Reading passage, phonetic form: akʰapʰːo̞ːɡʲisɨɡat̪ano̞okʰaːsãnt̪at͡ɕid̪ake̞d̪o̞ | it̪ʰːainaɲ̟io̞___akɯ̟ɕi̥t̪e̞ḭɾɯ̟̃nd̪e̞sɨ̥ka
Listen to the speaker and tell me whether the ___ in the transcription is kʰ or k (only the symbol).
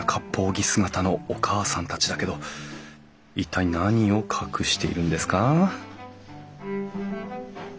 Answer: kʰ